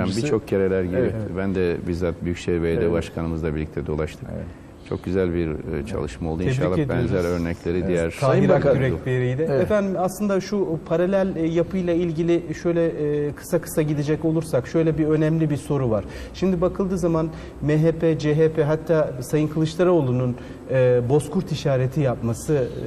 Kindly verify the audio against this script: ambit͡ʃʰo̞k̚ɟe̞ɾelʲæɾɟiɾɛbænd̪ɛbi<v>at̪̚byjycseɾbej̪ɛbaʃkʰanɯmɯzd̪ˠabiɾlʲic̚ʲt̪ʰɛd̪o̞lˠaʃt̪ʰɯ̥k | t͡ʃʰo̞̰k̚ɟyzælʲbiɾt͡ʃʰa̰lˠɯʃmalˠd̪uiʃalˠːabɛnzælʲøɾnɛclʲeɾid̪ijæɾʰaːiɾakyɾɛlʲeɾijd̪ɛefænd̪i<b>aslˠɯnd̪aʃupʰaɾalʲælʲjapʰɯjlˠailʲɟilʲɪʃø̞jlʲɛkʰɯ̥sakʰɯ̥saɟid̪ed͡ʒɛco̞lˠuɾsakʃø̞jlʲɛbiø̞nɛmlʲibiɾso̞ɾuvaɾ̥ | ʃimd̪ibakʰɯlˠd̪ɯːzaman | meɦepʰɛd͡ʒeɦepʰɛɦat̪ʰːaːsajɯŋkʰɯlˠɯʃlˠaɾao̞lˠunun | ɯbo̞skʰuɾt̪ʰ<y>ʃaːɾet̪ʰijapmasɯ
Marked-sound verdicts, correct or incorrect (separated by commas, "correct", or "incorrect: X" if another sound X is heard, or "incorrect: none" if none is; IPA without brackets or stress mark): incorrect: z, incorrect: m, incorrect: i